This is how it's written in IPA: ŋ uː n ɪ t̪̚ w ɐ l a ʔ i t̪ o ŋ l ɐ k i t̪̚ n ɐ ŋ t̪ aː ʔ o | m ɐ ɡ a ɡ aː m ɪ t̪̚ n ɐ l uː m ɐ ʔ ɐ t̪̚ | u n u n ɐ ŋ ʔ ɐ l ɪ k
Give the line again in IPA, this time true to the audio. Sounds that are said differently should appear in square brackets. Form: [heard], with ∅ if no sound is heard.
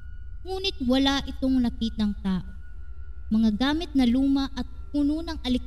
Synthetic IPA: ŋ uː n ɪ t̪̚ w ɐ l a ʔ [ɪ] t̪ o ŋ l ɐ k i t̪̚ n ɐ ŋ t̪ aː ʔ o | m ɐ [ŋ] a ɡ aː m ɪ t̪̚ n ɐ l uː m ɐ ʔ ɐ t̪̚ | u n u n ɐ ŋ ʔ ɐ l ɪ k